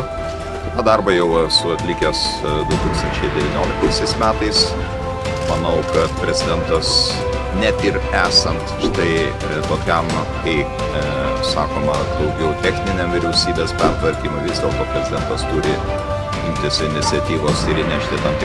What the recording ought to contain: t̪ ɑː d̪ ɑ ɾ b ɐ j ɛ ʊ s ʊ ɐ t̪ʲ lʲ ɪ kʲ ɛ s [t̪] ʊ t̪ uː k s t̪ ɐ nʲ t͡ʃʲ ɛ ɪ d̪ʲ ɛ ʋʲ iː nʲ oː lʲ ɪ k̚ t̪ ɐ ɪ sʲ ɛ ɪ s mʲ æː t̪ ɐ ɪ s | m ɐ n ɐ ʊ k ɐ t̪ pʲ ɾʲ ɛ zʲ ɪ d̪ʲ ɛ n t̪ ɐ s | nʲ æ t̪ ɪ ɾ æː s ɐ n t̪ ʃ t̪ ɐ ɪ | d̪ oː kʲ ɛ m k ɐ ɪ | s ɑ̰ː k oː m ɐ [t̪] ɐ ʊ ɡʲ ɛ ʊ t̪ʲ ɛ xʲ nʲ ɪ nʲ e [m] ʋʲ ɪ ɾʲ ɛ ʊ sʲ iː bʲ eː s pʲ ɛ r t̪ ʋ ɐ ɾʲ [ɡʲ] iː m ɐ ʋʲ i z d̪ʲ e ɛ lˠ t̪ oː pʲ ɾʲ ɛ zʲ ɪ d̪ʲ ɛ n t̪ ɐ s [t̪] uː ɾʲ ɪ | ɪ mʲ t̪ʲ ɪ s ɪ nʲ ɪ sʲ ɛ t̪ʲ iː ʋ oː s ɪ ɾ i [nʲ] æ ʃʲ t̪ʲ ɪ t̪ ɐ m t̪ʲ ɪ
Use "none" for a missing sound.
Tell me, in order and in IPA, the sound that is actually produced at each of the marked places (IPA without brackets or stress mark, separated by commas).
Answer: d̪, d̪, m, kʲ, t̪, nʲ